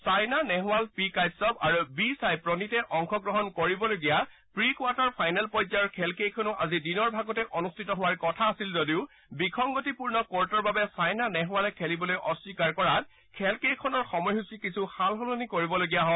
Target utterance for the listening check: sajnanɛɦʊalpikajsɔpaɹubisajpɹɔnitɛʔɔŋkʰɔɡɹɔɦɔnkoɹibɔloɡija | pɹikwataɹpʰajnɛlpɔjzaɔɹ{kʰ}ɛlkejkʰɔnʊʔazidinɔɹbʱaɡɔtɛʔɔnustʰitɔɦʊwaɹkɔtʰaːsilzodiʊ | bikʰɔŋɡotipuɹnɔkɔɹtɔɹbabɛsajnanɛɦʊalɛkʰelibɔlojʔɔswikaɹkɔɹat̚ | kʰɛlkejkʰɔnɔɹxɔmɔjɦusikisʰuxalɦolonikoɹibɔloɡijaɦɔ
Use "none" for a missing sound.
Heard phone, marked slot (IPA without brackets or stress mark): kʰ